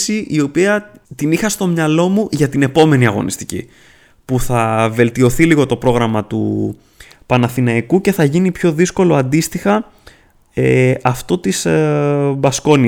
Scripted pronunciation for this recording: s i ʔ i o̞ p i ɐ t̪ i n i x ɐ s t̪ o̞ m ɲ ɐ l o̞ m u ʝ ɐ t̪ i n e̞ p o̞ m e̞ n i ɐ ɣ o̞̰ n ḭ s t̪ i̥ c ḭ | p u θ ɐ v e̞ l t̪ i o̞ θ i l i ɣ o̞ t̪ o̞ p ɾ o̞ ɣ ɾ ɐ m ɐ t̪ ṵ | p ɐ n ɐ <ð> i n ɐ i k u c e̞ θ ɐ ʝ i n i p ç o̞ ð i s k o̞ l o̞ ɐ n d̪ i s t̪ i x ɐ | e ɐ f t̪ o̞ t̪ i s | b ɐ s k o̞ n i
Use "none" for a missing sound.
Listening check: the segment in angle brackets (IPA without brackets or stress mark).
θ